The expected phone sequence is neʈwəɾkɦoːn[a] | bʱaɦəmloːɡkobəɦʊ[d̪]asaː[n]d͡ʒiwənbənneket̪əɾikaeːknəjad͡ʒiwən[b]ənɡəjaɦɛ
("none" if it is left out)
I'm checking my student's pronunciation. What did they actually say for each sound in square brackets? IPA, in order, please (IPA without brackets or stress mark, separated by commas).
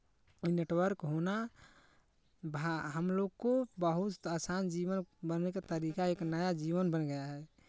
a, t̪, n, b